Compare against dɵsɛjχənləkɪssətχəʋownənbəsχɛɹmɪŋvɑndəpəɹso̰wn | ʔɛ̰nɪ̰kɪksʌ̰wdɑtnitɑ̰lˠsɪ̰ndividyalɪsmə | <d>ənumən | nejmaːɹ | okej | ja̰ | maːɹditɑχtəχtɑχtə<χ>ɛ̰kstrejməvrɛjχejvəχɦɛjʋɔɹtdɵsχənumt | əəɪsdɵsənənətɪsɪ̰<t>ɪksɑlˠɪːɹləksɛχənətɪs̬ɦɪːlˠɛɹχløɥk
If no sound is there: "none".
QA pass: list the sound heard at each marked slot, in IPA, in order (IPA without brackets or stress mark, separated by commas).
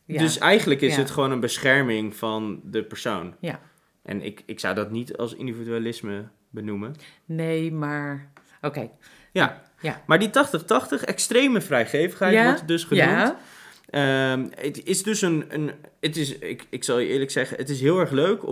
b, χ, k